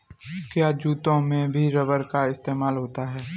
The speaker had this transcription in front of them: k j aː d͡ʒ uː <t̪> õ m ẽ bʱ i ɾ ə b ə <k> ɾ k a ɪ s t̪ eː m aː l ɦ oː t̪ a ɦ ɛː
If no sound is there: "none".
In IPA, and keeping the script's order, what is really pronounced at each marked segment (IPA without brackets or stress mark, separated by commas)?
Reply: t̪, none